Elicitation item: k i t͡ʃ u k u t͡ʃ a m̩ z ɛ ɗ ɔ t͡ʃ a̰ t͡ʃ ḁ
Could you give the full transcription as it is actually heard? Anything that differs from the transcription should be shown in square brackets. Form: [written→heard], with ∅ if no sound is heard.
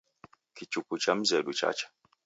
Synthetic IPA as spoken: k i t͡ʃ u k u t͡ʃ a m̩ z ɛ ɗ [ɔ→u] t͡ʃ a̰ t͡ʃ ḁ